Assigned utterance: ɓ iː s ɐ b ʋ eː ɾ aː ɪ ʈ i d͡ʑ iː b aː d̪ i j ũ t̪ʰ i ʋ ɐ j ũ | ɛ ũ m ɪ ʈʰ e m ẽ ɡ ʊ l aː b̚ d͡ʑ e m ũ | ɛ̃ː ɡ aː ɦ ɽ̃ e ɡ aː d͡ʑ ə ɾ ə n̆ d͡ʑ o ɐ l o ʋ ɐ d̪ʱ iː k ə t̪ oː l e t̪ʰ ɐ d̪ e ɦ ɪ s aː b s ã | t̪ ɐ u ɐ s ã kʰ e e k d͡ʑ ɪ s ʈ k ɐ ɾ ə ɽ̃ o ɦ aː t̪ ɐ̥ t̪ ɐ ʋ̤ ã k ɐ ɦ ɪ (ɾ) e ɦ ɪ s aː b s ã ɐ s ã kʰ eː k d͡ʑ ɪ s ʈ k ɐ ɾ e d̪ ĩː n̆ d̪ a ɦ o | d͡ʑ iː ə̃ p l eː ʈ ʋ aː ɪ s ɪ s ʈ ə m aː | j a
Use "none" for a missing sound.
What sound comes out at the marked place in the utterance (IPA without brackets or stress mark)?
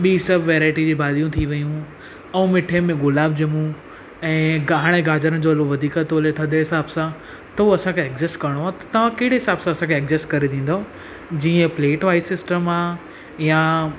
ɽ